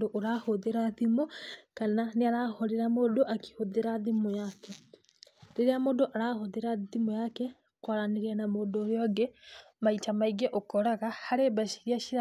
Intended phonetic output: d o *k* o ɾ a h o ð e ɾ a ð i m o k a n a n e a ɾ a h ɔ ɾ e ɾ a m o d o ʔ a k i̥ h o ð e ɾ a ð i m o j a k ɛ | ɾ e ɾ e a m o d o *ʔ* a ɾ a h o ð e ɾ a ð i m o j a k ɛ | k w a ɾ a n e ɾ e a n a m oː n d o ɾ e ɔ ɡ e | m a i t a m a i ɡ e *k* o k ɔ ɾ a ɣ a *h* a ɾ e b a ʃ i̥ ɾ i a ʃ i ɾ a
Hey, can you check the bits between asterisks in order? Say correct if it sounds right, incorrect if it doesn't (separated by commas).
incorrect, correct, incorrect, correct